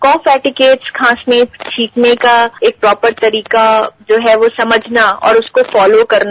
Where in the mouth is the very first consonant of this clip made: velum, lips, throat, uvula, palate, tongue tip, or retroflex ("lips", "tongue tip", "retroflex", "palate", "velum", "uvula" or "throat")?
velum